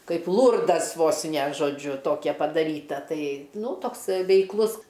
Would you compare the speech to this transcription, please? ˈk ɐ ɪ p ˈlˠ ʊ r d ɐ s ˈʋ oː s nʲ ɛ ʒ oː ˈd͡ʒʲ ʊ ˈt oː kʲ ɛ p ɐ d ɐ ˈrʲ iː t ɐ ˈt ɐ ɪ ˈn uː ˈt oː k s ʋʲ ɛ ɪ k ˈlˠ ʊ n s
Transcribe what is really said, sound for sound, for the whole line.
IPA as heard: ˈk ɐ ɪ p ˈlˠ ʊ r d ɐ s ˈʋ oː s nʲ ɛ ʒ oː ˈd͡ʒʲ ʊ ˈt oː kʲ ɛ p ɐ d ɐ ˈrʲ iː t ɐ ˈt ɐ ɪ ˈn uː ˈt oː k s ʋʲ ɛ ɪ k ˈlˠ ʊ s